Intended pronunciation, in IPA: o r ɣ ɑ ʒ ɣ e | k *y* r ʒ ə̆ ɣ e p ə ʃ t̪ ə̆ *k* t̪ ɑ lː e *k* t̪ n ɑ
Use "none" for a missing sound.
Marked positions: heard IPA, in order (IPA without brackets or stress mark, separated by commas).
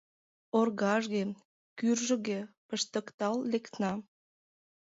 y, k, k